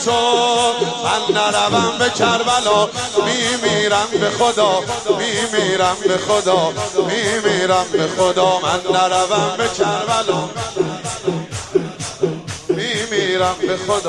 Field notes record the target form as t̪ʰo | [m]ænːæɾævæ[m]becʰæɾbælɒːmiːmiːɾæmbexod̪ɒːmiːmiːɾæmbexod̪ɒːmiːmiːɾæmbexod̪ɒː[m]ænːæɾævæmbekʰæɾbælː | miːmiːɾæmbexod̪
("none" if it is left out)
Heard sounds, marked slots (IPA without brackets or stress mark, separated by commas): m, m, m